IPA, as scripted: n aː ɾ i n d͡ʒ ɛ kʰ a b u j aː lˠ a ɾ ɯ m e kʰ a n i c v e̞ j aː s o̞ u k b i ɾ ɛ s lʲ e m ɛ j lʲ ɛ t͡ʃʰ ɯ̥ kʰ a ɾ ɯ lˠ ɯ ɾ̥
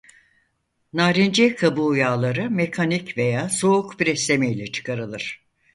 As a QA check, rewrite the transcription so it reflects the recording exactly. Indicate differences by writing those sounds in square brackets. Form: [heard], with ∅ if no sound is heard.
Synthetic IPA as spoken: n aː ɾ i n d͡ʒ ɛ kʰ a b u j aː lˠ a ɾ ɯ m e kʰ a n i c v e̞ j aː s o̞ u k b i ɾ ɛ s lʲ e m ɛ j lʲ ɛ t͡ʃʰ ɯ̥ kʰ a ɾ ɯ lˠ ɯ ɾ̥